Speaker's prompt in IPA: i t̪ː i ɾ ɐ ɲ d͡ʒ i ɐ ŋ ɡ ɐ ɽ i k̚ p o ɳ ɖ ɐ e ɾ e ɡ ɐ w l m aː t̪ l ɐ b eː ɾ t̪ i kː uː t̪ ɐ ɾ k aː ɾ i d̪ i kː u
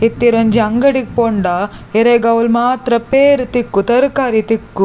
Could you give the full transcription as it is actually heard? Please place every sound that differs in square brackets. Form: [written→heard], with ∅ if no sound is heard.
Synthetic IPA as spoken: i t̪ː i ɾ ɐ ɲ d͡ʒ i ɐ ŋ ɡ ɐ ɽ i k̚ p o ɳ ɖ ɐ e ɾ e ɡ ɐ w l m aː t̪ [l→ɾ] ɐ [b→p] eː ɾ t̪ i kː [uː→u] t̪ ɐ ɾ k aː ɾ i [d̪→t̪] i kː u

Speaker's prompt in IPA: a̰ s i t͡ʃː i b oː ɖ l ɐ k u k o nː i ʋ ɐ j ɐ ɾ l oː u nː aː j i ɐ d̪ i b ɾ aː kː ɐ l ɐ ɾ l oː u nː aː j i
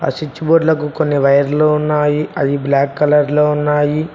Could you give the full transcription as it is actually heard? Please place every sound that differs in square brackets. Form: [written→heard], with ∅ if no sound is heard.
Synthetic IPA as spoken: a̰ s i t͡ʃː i b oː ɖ l ɐ k u k o nː i ʋ ɐ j ɐ ɾ l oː u nː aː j i ɐ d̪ i b [ɾ→l] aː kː ɐ l ɐ ɾ l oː u nː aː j i

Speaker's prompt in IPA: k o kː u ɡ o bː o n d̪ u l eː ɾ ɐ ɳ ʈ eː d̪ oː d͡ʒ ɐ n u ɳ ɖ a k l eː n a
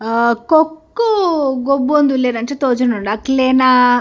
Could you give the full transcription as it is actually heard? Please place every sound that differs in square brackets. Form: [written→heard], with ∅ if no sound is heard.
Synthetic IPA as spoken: k o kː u ɡ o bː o n d̪ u l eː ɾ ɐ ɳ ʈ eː [d̪→t̪] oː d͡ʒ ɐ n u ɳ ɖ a k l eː n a

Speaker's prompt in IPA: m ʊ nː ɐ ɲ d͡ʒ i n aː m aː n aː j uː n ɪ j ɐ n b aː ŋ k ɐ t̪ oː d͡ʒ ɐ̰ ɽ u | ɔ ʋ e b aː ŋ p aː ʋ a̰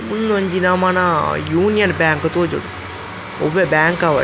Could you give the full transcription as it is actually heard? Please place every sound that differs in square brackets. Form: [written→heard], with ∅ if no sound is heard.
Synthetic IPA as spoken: m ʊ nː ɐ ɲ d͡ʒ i n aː m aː n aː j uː n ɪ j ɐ n b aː ŋ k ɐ t̪ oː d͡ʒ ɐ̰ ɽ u | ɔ ʋ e b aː ŋ [p→k] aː ʋ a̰

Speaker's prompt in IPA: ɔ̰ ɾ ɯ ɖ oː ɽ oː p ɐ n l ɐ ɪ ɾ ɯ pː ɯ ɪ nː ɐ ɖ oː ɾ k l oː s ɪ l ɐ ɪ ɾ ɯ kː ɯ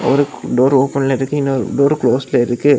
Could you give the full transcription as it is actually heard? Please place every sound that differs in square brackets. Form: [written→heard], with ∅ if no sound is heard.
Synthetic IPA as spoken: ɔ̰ ɾ ɯ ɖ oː [ɽ→ɾ] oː p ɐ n l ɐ ɪ ɾ ɯ [pː→kː] ɯ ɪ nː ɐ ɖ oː ɾ k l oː s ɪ l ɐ ɪ ɾ ɯ kː ɯ

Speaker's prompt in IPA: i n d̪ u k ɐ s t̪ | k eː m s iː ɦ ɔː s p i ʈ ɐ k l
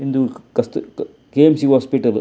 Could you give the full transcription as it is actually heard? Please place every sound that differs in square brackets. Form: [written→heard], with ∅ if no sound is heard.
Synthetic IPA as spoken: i n d̪ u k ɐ s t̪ | k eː m s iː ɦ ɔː s p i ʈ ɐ [k→∅] l

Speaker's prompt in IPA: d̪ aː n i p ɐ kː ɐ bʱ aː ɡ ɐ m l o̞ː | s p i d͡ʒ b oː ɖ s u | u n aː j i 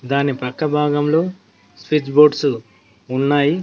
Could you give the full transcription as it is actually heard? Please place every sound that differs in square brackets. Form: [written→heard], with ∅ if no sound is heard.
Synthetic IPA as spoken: d̪ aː n i p ɐ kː ɐ bʱ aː ɡ ɐ m l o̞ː | s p i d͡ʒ b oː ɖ s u | u [n→nː] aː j i

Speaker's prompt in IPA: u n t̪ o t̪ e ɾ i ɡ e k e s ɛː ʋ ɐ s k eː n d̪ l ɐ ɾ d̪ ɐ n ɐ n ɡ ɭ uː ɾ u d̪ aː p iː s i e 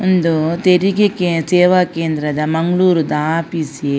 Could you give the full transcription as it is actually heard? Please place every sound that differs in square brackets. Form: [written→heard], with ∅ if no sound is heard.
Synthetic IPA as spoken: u n [t̪→d̪] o t̪ e ɾ i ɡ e k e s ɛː ʋ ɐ [s→∅] k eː n d̪ [l→ɾ] ɐ [ɾ→∅] d̪ ɐ [n→m] ɐ [n→ŋ] ɡ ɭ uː ɾ u d̪ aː p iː s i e

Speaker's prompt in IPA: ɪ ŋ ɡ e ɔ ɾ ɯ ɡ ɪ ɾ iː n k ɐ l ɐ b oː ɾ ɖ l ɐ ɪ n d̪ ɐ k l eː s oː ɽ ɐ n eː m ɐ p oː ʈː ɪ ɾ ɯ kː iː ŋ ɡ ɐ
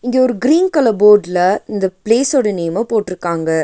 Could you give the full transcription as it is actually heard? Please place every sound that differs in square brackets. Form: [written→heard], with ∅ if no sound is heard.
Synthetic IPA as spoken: ɪ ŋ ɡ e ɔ ɾ ɯ ɡ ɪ ɾ iː n k ɐ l ɐ b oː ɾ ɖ l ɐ ɪ n d̪ ɐ [k→p] l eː s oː ɽ ɐ n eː m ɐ p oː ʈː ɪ ɾ ɯ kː [iː→aː] ŋ ɡ ɐ

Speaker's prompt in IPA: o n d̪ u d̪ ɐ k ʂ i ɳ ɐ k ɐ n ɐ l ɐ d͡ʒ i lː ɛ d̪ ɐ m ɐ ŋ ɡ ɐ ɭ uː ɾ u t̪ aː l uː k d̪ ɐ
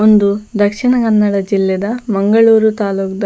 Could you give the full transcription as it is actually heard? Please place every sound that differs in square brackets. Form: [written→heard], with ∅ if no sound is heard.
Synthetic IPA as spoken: o n d̪ u d̪ ɐ k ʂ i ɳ ɐ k ɐ [n→nː] ɐ [l→ɽ] ɐ d͡ʒ i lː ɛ d̪ ɐ m ɐ ŋ ɡ ɐ ɭ uː ɾ u t̪ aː l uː k d̪ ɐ

